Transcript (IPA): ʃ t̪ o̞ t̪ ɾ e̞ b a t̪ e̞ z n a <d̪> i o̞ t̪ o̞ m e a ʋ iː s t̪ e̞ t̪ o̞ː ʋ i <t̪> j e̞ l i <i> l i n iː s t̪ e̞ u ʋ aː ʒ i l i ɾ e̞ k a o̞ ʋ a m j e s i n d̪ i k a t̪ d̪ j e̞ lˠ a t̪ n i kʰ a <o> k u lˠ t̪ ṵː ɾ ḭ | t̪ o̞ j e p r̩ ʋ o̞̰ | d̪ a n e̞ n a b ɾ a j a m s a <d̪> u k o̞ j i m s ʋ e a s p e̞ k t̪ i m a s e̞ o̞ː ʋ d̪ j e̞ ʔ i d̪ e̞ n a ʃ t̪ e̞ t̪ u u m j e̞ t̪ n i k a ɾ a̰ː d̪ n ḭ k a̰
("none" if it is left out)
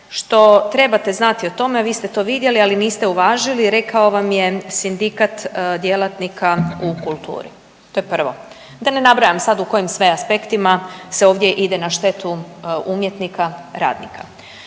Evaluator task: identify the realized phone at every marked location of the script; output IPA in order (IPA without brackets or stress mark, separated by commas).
t̪, d̪, a, u, d̪